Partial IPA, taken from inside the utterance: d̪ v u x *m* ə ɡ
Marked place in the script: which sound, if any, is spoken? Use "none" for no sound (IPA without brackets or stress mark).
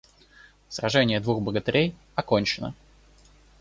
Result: b